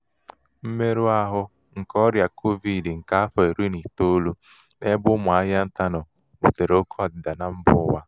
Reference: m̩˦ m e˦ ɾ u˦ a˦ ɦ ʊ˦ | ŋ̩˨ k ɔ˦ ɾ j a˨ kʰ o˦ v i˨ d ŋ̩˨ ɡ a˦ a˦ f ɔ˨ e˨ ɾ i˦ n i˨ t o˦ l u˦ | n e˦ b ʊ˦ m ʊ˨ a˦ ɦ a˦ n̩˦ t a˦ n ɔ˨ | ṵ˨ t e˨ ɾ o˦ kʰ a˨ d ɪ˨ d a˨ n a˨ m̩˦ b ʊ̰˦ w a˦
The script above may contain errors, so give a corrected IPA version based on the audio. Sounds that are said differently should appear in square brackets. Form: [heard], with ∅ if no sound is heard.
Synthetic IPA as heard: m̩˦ m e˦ ɾ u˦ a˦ ɦ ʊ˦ | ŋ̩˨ k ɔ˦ ɾ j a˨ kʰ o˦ v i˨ d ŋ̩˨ [k] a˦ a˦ f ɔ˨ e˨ ɾ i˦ n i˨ t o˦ l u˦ | n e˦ b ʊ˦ m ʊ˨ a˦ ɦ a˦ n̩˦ t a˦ n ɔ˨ | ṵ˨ t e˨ ɾ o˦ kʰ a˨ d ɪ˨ d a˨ n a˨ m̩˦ b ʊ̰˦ w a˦